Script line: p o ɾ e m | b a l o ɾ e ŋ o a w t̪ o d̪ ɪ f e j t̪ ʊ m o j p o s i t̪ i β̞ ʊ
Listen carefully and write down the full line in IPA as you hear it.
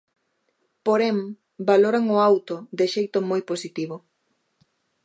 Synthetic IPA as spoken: p o ɾ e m | b a l o ɾ a ŋ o a w t̪ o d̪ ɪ ʃ e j t̪ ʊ m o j p o s i t̪ i β̞ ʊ

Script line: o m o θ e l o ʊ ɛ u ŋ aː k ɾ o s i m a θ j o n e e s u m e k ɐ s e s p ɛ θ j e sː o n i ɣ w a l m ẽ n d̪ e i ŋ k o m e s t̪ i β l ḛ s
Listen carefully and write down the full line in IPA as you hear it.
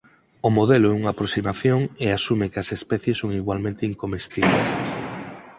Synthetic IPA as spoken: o m o ð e l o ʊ ɛ u ŋ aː p ɾ o s i m a θ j o ŋ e a s u m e k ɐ s e s p ɛ θ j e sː o ŋ i ɣ w a l m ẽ n t̪ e i ŋ k o m e s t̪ i β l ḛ s

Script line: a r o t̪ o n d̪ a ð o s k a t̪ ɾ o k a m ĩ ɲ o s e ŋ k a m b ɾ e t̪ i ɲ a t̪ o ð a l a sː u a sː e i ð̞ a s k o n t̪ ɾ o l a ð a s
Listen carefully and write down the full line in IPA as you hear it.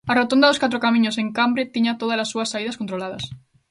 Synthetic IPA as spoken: a r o t̪ o n d̪ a ð o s k a t̪ ɾ o k a m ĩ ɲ o s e ŋ k a m b ɾ e t̪ i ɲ a t̪ o ð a l a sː u a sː a i ð̞ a s k o n t̪ ɾ o l a ð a s

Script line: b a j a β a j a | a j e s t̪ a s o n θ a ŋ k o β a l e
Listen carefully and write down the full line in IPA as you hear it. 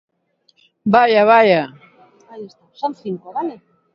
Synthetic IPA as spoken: b a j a β a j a | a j e s t̪ a s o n θ i ŋ k o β a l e

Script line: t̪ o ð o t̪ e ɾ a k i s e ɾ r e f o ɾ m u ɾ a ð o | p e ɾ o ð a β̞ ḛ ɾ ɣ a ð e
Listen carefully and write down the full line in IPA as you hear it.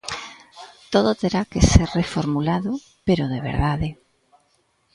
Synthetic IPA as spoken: t̪ o ð o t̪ e ɾ a k e s e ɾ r e f o ɾ m u l a ð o | p e ɾ o ð e β̞ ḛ ɾ ð a ð e

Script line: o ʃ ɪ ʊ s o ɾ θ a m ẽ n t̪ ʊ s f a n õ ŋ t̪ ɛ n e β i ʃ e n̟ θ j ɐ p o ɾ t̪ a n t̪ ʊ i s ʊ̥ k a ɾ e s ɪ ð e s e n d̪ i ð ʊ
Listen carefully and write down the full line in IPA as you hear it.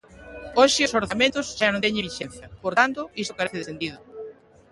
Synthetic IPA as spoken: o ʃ ɪ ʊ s o ɾ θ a m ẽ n t̪ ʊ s ʃ a n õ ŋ t̪ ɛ ɲ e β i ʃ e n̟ θ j ɐ p o ɾ t̪ a n t̪ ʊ i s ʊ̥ k a ɾ e θ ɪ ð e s e n d̪ i ð ʊ

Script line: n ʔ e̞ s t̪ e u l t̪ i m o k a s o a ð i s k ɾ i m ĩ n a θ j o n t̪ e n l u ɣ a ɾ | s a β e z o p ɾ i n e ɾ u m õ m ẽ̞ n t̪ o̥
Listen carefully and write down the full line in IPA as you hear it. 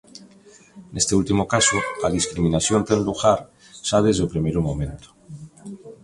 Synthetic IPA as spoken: n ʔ e̞ s t̪ e u l t̪ i m o k a s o a ð i s k ɾ i m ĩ n a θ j o n t̪ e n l u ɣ a ɾ | s a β e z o p ɾ i m e ɾ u m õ m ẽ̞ n t̪ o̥

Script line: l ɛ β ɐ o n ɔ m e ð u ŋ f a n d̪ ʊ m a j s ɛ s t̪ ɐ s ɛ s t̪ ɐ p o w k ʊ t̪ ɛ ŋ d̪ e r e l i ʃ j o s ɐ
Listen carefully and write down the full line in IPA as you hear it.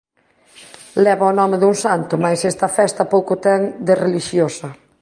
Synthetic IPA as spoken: l ɛ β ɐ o n ɔ m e ð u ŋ s a n t̪ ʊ m a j s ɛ s t̪ ɐ f ɛ s t̪ ɐ p o w k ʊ t̪ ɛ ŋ d̪ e r e l i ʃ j o s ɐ

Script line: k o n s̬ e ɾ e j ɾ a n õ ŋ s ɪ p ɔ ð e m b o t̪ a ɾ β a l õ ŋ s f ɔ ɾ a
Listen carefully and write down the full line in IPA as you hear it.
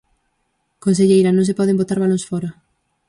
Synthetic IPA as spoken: k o n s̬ e ʎ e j ɾ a n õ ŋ s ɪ p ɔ ð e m b o t̪ a ɾ β a l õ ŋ s f ɔ ɾ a

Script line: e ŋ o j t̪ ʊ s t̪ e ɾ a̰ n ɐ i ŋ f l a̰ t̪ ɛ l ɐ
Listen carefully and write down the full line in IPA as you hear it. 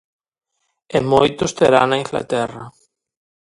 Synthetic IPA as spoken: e m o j t̪ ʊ s t̪ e ɾ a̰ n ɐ i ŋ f l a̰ t̪ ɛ r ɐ

